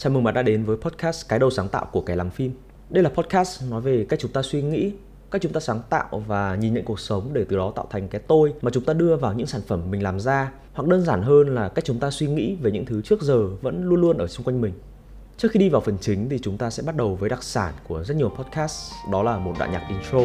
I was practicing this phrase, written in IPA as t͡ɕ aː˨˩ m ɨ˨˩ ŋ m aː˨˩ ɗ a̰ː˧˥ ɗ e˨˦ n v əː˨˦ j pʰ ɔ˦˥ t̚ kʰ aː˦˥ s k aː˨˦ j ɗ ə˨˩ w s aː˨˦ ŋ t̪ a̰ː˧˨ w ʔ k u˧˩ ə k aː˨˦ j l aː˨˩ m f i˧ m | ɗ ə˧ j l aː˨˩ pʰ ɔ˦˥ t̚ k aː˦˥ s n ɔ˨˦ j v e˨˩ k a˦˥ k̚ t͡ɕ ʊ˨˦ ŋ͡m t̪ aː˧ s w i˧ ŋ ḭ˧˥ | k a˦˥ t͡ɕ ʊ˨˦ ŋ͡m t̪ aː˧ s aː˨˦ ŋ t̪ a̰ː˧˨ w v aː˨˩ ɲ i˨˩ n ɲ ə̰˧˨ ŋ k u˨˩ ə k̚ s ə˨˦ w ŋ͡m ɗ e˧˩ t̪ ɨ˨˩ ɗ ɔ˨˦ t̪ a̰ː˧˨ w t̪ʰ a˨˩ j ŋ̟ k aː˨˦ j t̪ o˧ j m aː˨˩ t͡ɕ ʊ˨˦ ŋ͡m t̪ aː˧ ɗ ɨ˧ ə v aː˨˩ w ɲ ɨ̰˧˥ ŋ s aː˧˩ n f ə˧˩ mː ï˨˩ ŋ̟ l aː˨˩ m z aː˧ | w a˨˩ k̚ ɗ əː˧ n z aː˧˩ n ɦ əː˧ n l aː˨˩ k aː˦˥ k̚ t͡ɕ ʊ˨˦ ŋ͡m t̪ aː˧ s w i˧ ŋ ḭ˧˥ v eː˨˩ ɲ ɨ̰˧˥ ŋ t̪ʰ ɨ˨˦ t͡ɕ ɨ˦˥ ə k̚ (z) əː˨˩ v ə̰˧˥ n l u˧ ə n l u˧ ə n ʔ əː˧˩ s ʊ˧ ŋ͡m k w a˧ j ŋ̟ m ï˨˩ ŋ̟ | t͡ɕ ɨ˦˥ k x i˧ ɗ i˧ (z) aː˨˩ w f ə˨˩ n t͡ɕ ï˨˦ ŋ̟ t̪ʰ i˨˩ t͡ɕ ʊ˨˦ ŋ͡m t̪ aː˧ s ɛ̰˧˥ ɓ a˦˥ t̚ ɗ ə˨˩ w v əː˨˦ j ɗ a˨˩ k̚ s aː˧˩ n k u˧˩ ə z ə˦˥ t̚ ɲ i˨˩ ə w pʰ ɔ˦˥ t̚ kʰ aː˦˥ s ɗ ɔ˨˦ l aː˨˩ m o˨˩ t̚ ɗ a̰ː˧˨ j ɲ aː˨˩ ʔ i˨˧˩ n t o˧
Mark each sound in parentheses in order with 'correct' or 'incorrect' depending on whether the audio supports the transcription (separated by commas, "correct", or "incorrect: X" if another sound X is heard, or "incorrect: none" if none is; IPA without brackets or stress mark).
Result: correct, incorrect: v